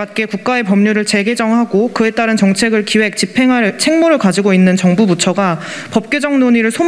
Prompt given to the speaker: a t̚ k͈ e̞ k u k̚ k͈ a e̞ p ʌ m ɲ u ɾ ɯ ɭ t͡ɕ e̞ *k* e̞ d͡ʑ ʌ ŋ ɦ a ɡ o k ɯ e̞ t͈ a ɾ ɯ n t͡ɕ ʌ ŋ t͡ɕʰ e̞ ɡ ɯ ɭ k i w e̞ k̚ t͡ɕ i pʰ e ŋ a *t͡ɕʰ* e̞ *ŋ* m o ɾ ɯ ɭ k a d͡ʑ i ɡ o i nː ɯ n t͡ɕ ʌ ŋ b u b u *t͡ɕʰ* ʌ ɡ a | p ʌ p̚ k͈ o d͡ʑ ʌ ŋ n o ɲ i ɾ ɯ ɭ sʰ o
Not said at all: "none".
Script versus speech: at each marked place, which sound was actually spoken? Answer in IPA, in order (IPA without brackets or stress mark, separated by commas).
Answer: ɡ, t͡ɕʰ, ŋ, t͡ɕʰ